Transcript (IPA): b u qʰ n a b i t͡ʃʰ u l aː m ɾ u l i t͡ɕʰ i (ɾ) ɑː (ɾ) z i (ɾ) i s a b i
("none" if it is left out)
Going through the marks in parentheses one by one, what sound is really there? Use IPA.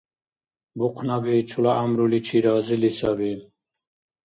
ɾ, none, l

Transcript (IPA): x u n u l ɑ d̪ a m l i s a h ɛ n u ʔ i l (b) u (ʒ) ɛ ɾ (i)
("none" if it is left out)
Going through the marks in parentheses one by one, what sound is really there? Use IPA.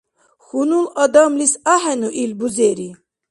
b, z, i

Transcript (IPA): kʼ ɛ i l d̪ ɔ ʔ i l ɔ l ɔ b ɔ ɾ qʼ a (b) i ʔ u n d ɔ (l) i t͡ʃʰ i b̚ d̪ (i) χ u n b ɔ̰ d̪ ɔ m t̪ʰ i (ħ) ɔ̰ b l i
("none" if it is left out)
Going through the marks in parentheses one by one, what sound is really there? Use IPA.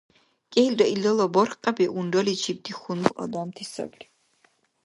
b, l, i, s

